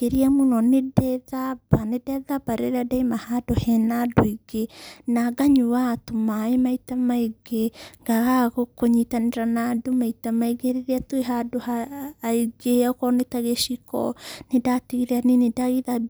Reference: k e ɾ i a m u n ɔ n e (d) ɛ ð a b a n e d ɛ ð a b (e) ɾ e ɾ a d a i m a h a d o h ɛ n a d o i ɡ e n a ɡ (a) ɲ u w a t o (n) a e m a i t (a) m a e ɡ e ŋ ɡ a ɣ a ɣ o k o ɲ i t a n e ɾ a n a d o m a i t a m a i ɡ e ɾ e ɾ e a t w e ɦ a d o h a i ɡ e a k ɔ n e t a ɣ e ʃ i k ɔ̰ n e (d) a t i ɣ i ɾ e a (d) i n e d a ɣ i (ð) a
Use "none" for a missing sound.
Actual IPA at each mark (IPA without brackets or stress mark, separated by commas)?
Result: d, a, a, m, a, d, n, ð